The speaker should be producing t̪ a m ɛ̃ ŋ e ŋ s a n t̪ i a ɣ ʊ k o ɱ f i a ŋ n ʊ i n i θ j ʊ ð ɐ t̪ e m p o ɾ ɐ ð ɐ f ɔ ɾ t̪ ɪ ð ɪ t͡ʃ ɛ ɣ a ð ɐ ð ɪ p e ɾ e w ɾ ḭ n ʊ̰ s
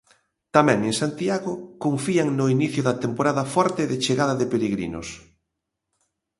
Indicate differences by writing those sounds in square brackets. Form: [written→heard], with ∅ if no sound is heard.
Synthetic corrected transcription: t̪ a m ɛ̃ ŋ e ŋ s a n t̪ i a ɣ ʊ k o ɱ f i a ŋ n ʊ i n i θ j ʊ ð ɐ t̪ e m p o ɾ [ɐ→a] ð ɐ f ɔ ɾ t̪ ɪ ð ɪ t͡ʃ [ɛ→e] ɣ a ð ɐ ð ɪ p e ɾ e [w→ɣ] ɾ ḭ n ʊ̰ s